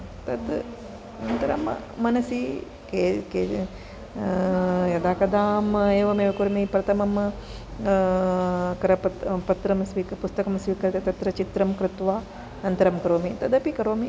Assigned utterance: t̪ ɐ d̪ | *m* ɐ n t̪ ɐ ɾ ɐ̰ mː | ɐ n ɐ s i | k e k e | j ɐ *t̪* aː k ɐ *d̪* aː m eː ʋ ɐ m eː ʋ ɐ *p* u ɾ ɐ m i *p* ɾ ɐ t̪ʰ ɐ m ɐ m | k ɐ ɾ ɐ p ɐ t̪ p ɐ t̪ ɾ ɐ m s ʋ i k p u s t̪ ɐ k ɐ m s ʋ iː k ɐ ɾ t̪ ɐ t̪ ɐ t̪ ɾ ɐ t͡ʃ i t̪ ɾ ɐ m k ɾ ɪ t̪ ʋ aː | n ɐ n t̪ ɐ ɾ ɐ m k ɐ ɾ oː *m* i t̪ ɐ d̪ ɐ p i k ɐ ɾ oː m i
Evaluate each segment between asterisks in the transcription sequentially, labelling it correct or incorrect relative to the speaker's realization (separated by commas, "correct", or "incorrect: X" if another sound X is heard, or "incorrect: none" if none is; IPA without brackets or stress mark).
incorrect: n, incorrect: d̪, correct, incorrect: k, correct, correct